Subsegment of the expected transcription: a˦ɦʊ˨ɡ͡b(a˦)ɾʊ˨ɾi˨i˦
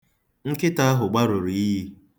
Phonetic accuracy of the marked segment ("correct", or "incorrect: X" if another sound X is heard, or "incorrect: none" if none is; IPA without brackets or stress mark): correct